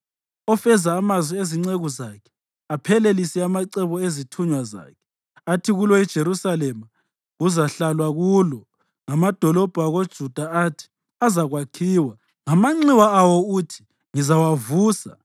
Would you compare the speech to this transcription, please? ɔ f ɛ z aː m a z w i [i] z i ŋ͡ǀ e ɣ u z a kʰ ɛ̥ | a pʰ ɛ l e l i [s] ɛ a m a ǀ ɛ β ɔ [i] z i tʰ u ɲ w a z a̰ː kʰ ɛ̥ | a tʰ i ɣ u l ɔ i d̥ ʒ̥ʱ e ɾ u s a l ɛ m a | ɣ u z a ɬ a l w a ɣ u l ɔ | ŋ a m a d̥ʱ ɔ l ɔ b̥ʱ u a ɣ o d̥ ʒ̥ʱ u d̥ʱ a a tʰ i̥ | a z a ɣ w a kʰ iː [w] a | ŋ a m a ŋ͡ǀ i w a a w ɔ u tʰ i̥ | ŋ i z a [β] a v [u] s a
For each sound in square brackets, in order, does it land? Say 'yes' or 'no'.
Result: no, yes, no, yes, no, no

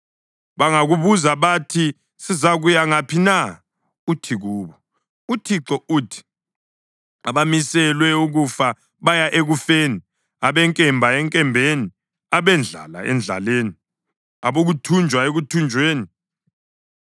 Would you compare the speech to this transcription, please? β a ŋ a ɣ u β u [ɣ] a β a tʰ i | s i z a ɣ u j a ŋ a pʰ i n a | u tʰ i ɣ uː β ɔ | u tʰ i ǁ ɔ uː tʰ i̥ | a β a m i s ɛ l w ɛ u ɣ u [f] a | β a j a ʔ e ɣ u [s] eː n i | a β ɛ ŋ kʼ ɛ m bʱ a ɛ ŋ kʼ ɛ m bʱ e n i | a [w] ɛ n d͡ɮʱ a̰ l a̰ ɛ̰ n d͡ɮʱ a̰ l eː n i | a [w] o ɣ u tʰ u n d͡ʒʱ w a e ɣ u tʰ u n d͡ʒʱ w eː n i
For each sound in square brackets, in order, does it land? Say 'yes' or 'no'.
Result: no, yes, no, no, no

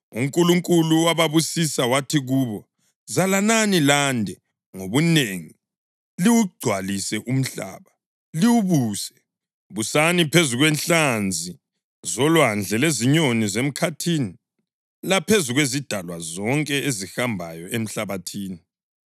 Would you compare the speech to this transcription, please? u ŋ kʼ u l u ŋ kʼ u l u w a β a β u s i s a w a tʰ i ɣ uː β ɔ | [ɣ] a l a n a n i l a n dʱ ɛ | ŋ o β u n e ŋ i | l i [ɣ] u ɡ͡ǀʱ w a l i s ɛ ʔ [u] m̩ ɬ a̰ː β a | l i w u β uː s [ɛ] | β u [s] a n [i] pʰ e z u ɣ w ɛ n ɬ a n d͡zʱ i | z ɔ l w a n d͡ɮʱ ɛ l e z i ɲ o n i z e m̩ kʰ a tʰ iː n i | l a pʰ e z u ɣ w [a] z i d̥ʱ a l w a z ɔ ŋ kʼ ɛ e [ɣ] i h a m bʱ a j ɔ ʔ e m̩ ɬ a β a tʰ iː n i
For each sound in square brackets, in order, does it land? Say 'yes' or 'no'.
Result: no, no, yes, yes, yes, yes, no, no

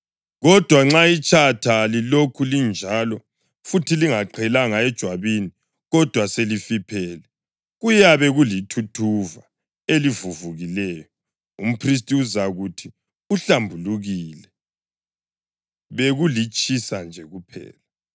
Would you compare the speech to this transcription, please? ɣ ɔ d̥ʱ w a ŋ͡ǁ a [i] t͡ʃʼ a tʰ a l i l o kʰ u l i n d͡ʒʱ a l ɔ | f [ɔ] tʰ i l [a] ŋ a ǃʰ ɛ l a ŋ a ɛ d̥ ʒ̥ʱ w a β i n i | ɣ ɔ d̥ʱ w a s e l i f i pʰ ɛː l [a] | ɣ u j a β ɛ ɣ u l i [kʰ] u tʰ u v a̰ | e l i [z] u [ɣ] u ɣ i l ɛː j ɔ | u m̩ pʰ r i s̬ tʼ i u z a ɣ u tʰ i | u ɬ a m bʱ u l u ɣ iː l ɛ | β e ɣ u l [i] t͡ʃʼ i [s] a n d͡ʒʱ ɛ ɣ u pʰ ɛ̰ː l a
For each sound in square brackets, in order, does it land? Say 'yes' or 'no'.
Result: yes, no, no, no, no, no, no, yes, yes

